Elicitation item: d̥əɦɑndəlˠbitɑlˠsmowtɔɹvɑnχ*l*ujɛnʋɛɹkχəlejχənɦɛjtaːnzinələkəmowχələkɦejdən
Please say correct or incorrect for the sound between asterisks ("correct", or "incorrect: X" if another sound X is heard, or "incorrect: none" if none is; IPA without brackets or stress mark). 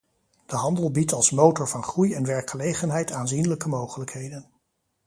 incorrect: r